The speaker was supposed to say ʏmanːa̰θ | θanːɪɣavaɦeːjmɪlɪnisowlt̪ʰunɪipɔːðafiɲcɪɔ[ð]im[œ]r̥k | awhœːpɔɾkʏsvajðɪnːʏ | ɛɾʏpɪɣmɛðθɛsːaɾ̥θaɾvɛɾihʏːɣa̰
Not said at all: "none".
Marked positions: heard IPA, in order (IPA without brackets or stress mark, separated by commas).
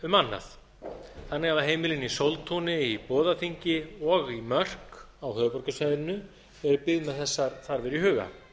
ɣ, œ